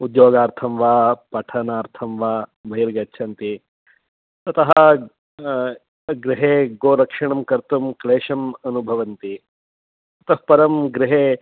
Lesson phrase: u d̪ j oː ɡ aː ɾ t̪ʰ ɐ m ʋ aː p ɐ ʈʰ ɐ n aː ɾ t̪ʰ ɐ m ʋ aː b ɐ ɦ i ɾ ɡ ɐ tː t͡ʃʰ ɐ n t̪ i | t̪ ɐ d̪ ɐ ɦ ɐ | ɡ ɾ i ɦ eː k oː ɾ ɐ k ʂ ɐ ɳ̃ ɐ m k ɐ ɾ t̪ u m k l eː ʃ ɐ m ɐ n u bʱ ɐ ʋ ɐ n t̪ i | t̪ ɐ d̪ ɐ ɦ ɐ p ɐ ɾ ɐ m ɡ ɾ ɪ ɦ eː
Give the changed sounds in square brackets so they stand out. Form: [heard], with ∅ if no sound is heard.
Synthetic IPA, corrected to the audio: u d̪ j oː ɡ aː ɾ t̪ʰ ɐ m ʋ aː p ɐ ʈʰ ɐ n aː ɾ t̪ʰ ɐ m ʋ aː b ɐ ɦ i ɾ ɡ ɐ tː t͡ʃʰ ɐ n t̪ i | t̪ ɐ [t̪] ɐ ɦ ɐ | ɡ ɾ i ɦ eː [ɡ] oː ɾ ɐ k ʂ ɐ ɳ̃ ɐ m k ɐ ɾ t̪ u m k l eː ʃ ɐ m ɐ n u bʱ ɐ ʋ ɐ n t̪ i | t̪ ɐ [t̪] ɐ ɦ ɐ p ɐ ɾ ɐ m ɡ ɾ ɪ ɦ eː